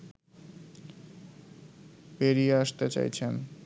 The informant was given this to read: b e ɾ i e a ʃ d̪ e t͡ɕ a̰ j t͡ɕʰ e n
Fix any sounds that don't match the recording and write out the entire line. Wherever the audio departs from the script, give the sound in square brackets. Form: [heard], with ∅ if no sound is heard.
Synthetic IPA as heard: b e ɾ i e a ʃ [t̪] e t͡ɕ a̰ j t͡ɕʰ e n